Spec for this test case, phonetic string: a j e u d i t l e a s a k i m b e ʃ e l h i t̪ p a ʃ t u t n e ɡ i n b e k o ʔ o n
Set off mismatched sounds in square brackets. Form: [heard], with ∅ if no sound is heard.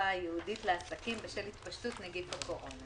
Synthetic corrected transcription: a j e u d i t l e a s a k i m b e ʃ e l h i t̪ p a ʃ t u t n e ɡ i [d] b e k o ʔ o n